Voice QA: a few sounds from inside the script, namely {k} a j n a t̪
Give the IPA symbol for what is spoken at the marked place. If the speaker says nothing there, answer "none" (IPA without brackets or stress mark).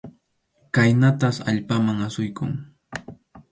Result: k